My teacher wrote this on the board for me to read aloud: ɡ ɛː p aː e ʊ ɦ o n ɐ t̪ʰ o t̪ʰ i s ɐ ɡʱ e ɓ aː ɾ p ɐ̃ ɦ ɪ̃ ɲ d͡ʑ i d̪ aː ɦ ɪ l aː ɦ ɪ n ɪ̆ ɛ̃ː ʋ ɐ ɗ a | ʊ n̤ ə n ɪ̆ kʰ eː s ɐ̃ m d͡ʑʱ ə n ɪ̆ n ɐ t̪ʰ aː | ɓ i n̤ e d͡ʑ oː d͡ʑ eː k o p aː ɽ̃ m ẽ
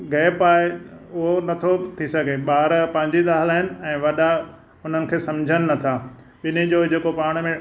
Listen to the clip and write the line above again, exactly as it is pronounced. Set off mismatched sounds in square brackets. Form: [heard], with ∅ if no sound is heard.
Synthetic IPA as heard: ɡ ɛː p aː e ʊ ɦ o n ɐ t̪ʰ o t̪ʰ i s ɐ ɡʱ e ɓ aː ɾ p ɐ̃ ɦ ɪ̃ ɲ d͡ʑ i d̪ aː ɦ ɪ l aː ɦ ɪ n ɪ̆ ɛ̃ː ʋ ɐ ɗ a | ʊ n̤ ə n ɪ̆ kʰ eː s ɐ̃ m d͡ʑʱ ə n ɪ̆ n ɐ t̪ʰ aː | ɓ [ɪ] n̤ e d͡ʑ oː d͡ʑ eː k o p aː ɽ̃ m ẽ